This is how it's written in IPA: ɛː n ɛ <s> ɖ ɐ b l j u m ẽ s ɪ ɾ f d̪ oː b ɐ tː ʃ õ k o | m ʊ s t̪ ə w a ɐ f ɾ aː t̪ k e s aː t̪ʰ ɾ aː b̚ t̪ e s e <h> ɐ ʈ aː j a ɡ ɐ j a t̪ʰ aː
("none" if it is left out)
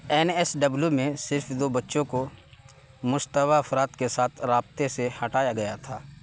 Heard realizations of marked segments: s, h

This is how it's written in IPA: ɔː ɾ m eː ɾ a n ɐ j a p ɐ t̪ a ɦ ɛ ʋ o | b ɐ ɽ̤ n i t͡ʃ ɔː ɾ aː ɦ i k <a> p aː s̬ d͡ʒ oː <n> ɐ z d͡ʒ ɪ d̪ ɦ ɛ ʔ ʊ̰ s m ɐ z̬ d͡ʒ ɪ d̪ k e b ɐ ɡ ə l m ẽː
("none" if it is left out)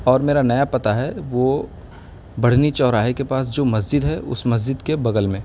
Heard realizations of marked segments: e, m

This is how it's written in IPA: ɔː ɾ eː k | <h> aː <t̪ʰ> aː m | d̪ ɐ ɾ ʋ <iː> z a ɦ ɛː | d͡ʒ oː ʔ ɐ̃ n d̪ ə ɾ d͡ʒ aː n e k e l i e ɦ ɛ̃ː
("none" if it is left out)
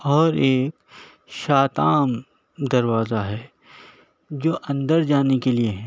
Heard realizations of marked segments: ʃ, t̪, aː

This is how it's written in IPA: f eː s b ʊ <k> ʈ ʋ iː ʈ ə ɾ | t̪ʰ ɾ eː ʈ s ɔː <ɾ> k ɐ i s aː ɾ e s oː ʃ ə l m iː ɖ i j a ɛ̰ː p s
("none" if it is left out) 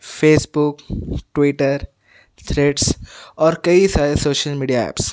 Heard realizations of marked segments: k, ɾ

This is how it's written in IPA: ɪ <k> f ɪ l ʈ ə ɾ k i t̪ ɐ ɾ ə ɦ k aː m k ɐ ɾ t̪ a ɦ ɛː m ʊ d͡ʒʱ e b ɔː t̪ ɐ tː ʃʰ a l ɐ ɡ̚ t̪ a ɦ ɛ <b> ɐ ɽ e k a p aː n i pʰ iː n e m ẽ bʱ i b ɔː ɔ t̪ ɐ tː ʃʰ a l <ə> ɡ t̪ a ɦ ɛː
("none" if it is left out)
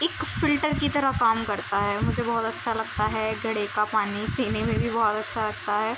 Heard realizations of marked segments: k, ɡ, ɐ

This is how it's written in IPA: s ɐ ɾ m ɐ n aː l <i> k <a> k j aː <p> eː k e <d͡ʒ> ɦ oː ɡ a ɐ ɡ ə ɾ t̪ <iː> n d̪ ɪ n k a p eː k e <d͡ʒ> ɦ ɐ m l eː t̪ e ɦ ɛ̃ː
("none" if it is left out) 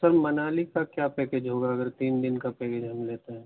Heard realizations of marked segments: i, a, p, d͡ʒ, iː, d͡ʒ

